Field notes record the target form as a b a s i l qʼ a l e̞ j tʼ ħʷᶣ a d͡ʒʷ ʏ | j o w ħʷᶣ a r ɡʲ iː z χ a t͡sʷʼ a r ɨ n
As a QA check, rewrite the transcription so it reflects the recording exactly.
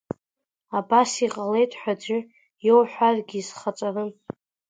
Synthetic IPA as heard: a b a s i qʼ a l e̞ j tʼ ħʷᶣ a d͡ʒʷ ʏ | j o w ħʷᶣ a r ɡʲ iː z χ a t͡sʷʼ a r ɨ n